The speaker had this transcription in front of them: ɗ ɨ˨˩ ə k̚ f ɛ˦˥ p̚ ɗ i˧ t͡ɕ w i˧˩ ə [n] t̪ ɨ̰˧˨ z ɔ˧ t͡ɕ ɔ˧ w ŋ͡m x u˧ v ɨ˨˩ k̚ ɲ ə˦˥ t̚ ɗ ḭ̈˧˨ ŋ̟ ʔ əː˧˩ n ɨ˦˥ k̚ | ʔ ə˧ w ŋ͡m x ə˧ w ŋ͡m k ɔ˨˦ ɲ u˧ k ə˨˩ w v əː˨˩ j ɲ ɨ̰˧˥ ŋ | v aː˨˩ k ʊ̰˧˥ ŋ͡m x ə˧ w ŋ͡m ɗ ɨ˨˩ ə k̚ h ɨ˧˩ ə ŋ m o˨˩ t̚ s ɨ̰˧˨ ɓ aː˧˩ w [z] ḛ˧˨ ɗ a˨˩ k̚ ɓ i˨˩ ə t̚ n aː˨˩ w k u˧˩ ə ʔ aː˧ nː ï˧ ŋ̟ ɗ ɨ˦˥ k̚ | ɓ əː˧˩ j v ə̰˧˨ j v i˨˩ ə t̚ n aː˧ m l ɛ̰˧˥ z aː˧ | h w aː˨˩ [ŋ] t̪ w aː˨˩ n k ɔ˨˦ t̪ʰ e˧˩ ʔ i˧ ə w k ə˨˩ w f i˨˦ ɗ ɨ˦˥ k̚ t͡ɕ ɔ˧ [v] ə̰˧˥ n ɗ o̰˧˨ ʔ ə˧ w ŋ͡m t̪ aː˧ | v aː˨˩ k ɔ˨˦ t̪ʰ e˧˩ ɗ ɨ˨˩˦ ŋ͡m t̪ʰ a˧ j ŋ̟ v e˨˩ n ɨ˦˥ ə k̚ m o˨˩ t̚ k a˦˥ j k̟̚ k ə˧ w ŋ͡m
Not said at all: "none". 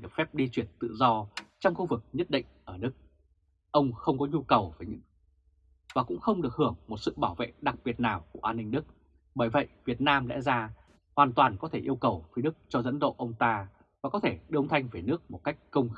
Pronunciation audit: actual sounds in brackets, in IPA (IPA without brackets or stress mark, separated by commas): n, v, n, z